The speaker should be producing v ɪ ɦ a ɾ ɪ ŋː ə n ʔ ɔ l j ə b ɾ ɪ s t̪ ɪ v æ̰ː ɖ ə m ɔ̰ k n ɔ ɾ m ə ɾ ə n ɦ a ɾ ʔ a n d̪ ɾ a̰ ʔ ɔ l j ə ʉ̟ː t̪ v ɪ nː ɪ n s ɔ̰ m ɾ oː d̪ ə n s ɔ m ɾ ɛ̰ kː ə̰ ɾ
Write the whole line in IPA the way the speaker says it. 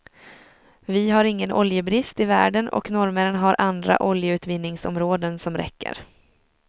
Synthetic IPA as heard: v ɪ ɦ a ɾ ɪ ŋː ə n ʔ ɔ l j ə b ɾ ɪ s t̪ ɪ v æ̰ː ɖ ə n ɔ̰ k n ɔ ɾ m ə ɾ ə n ɦ a ɾ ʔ a n d̪ ɾ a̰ ʔ ɔ l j ə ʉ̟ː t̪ v ɪ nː ɪ ŋ s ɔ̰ m ɾ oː d̪ ə n s ɔ m ɾ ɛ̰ kː ə̰ ɾ